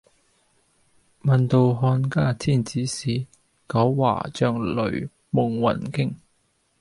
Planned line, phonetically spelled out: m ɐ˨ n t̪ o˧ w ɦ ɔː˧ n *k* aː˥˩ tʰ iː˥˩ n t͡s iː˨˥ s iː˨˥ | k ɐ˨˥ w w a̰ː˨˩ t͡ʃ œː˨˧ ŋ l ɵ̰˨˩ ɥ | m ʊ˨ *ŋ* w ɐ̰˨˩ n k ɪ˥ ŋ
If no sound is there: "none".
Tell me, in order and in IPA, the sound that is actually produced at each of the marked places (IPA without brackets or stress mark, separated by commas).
k, ŋ